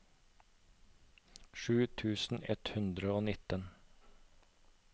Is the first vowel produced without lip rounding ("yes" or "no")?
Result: no